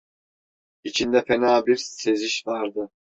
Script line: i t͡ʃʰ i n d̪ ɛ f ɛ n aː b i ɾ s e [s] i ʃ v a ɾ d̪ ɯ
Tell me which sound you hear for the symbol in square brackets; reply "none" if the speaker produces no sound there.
z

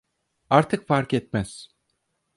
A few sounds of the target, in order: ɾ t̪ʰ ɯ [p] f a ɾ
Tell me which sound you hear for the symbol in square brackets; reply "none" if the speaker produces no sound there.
k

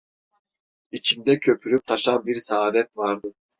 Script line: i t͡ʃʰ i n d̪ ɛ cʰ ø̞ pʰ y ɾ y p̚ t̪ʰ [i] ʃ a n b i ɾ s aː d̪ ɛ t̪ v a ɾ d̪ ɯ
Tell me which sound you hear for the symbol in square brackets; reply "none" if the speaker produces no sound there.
a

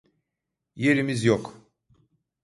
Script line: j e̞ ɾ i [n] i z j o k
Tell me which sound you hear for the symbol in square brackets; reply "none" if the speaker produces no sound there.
m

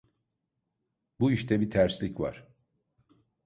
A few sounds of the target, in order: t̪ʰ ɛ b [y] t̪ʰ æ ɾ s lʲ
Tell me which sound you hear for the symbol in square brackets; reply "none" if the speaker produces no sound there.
i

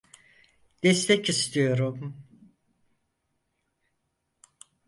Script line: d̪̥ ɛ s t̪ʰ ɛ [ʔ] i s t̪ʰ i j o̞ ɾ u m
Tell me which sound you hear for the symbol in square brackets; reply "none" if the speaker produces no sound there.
c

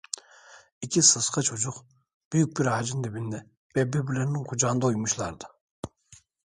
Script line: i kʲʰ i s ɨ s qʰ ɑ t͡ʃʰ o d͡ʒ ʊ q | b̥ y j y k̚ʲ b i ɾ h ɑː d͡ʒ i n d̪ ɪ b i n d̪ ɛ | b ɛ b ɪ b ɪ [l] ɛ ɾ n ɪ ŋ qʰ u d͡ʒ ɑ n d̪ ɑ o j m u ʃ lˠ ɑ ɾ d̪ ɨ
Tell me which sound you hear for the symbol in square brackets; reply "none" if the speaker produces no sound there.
l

